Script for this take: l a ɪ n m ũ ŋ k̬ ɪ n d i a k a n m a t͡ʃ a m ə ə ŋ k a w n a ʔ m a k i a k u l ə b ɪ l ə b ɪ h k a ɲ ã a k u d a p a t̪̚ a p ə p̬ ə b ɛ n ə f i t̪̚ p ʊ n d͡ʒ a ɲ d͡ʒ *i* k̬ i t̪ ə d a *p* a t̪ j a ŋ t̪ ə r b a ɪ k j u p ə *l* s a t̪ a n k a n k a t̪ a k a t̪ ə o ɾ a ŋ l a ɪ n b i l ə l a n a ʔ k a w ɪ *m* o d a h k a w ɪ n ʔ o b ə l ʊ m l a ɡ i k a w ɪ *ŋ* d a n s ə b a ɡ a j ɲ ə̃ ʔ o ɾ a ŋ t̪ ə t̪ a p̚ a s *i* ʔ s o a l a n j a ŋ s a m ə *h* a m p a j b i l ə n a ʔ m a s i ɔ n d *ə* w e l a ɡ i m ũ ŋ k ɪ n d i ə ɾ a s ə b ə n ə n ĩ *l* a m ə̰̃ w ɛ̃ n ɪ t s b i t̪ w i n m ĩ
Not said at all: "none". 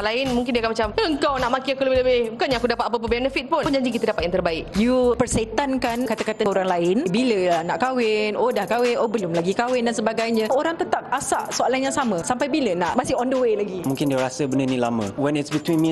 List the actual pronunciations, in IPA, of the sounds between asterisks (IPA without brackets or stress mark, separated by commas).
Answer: i, p, r, n, n, a, s, ə, l